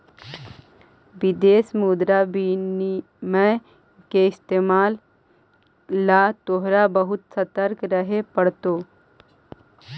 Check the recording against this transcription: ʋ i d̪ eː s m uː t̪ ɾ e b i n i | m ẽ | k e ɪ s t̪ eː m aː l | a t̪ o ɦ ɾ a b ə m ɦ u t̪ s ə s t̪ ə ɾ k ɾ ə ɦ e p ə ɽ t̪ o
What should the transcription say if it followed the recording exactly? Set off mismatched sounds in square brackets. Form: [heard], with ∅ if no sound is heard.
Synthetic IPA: ʋ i d̪ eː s m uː [d̪] ɾ [a] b i n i | m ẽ | k e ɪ s t̪ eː m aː l | a t̪ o ɦ ɾ a b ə [∅] ɦ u t̪ s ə [∅] t̪ ə ɾ k ɾ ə ɦ e p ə ɽ t̪ o